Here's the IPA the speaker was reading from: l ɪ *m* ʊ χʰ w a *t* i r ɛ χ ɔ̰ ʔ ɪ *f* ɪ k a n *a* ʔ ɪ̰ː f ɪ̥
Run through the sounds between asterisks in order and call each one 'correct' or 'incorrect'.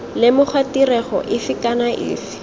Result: correct, correct, correct, correct

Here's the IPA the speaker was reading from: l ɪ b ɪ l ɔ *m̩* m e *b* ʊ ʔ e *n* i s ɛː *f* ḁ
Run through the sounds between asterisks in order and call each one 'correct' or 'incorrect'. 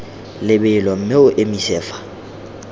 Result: correct, incorrect: none, incorrect: m, correct

